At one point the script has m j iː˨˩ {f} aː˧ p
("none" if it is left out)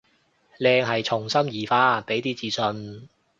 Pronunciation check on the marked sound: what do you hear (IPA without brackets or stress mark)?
f